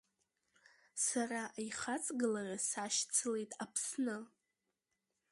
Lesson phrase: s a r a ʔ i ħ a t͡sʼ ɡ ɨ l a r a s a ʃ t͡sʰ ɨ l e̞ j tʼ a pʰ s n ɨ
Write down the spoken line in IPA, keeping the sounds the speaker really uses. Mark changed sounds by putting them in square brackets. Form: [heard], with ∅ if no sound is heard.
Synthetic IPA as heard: s a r a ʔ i [χ] a t͡sʼ ɡ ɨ l a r a s a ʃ t͡sʰ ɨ l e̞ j tʼ a pʰ s n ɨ